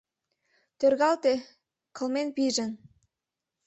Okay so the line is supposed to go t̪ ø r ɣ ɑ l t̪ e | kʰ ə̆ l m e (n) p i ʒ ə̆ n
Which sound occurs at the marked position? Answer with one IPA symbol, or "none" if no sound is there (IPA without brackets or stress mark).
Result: n